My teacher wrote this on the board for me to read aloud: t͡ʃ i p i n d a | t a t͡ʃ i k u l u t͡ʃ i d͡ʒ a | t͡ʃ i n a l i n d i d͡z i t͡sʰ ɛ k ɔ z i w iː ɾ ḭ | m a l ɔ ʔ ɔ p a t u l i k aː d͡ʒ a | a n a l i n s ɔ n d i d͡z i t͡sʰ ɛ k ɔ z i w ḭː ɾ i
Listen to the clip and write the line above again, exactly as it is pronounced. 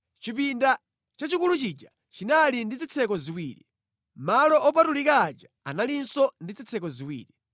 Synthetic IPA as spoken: t͡ʃ i p i n d a | t͡ʃ a t͡ʃ i k u l u t͡ʃ i d͡ʒ a | t͡ʃ i n a l i n d i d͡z i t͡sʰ ɛ k ɔ z i w iː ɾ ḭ | m a l ɔ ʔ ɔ p a t u l i k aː d͡ʒ a | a n a l i n s ɔ n d i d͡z i t͡sʰ ɛ k ɔ z i w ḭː ɾ i